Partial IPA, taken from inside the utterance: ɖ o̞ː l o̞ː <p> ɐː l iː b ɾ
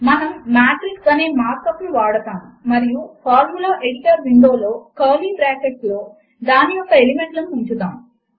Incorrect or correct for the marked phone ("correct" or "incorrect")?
incorrect